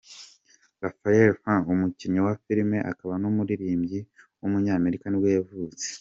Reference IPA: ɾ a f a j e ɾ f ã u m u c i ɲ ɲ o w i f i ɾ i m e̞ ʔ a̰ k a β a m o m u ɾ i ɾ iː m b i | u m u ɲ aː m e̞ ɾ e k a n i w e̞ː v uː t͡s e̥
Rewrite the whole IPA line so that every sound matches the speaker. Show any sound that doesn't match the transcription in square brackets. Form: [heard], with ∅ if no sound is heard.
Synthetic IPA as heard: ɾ a f a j e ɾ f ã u m u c i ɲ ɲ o w [a] f i ɾ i m e̞ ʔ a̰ k a β a [n] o m u ɾ i ɾ iː m [ɟ] i | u m u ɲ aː m e̞ ɾ [i] k a n i w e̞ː v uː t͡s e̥